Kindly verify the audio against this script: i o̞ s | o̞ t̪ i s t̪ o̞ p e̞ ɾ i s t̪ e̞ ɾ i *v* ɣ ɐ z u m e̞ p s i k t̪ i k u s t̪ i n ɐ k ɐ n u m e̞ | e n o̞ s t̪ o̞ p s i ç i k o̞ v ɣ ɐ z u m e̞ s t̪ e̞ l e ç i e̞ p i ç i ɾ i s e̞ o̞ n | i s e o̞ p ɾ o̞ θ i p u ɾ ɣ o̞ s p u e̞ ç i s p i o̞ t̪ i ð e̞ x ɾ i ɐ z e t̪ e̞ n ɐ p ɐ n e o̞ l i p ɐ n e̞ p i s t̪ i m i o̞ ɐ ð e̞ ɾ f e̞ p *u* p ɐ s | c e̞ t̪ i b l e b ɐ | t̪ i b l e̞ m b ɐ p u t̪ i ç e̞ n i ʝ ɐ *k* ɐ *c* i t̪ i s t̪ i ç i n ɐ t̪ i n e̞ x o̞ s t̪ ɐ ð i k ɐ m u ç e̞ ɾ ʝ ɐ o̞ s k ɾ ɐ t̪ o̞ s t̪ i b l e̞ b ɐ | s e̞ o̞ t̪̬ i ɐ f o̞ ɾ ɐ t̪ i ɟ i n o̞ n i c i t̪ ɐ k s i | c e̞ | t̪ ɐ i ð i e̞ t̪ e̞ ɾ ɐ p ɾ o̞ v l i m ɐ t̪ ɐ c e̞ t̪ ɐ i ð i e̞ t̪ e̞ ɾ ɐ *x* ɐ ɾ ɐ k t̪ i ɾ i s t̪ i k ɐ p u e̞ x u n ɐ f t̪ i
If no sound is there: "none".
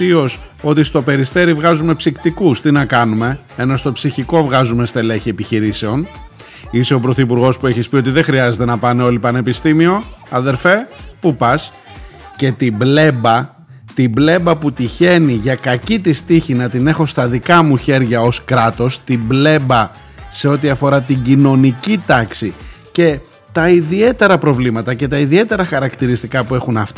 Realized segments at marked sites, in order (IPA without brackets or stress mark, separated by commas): v, u, k, c, x